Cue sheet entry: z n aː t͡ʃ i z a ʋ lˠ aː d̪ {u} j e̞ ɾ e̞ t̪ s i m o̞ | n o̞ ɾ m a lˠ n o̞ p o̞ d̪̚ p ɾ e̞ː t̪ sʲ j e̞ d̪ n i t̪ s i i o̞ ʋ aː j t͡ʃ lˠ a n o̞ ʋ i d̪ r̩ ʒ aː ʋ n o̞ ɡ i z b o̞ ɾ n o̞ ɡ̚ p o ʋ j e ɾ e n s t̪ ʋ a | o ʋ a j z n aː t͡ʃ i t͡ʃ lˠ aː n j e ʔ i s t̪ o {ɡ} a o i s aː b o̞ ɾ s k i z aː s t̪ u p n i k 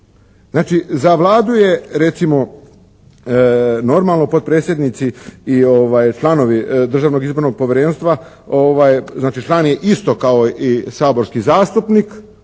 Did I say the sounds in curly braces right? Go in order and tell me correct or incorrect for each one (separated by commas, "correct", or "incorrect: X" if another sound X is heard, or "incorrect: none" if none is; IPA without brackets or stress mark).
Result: correct, incorrect: k